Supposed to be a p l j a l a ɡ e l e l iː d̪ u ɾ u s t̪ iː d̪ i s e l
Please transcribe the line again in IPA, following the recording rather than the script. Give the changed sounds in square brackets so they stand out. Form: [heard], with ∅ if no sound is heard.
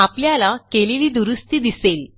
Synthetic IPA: a p l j a l a [k] e l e l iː d̪ u ɾ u s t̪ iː d̪ i s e l